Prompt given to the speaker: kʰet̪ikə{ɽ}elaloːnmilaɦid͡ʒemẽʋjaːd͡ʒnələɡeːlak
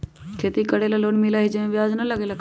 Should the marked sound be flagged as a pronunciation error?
no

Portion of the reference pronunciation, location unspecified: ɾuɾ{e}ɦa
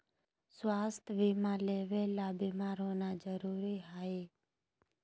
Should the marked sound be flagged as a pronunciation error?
yes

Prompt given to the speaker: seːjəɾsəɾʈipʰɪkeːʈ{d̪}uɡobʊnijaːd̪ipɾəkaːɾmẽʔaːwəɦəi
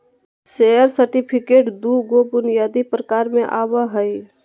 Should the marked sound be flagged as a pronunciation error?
no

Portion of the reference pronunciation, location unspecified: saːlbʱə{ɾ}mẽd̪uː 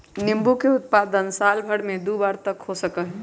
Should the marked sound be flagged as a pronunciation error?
yes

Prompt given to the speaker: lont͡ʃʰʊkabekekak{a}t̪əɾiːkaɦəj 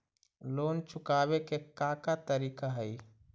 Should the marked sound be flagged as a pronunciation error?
no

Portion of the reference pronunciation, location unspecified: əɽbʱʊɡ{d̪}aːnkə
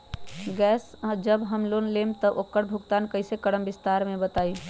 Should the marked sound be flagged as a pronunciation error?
yes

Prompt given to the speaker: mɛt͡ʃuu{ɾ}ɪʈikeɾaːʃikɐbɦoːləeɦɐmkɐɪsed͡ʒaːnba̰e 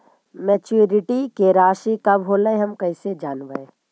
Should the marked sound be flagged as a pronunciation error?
no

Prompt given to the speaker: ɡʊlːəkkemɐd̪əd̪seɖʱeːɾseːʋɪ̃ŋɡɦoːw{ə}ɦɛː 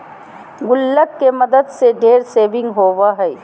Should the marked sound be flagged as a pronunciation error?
yes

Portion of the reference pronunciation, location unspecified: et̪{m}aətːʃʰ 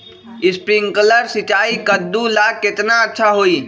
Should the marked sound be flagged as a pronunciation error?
yes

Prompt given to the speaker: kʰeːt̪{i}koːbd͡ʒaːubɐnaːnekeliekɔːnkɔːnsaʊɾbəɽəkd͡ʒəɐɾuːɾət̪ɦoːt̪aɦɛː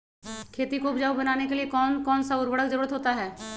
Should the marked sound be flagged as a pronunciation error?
no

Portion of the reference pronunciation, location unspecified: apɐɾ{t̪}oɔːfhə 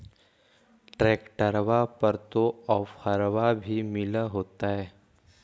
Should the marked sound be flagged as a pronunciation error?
no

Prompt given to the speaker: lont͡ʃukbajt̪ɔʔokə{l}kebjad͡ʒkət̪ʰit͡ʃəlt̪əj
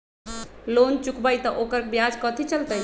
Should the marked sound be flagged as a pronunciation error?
yes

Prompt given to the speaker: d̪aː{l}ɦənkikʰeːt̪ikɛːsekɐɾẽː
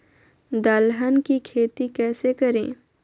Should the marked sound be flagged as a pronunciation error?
no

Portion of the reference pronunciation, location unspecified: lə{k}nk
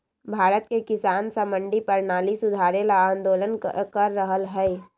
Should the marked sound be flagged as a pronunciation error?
yes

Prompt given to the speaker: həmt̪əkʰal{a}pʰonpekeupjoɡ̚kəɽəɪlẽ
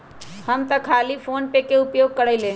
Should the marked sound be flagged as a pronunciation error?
yes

